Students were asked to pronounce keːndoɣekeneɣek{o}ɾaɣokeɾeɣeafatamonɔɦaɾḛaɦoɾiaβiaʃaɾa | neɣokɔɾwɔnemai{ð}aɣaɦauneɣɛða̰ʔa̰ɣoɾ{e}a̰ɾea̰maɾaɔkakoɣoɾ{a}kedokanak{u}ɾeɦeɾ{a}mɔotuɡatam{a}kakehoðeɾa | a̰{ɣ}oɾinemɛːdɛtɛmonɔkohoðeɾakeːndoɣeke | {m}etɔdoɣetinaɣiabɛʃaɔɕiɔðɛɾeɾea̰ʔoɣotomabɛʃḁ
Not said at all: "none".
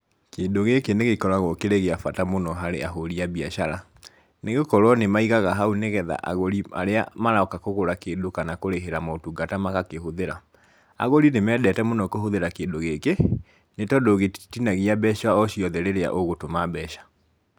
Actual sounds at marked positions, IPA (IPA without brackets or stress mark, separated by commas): ɔ, ɣ, i, a, o, a, a, ɣ, n